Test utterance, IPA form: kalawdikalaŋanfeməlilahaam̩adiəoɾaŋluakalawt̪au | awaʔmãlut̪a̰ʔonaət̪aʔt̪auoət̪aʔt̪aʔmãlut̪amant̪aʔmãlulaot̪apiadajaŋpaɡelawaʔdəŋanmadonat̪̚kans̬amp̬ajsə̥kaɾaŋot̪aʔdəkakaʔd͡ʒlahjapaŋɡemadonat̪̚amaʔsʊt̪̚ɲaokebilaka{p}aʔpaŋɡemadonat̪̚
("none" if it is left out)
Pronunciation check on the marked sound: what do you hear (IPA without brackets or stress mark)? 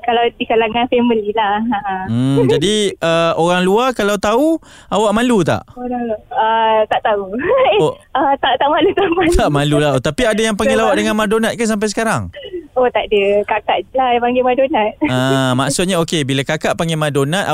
k